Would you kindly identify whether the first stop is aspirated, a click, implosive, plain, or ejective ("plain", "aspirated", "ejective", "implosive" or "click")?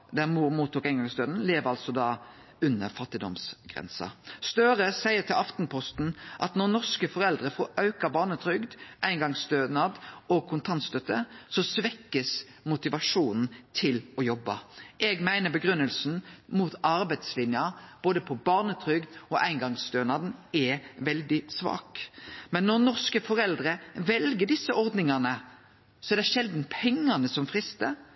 plain